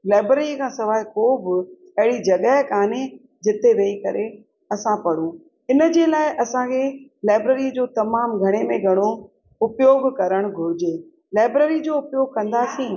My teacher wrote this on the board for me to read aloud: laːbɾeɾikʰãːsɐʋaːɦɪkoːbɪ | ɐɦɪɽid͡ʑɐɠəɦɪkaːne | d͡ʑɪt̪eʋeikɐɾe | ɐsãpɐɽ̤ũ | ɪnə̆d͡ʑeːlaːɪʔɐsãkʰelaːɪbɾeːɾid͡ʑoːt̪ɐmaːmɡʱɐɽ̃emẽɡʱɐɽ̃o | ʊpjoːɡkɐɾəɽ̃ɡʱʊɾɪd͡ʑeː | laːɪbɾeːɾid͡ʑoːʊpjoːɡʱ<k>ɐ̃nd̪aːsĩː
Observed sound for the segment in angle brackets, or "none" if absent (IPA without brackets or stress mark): k